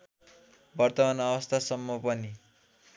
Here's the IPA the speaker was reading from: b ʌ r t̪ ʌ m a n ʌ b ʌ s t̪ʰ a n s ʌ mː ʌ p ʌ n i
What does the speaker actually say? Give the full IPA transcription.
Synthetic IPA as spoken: b ʌ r t̪ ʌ m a n ʌ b ʌ s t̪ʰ a s ʌ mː ʌ p ʌ n i